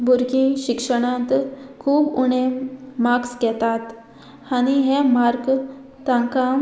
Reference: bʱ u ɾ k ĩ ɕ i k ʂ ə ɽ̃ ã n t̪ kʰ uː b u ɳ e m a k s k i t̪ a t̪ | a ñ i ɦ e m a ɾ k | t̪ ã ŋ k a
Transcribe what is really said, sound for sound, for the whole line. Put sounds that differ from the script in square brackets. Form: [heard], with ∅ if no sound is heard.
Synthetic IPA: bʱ u ɾ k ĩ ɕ i k ʂ ə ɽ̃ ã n t̪ kʰ uː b u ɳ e m a k s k [ɛ] t̪ a t̪ | a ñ i ɦ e m a ɾ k | t̪ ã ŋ k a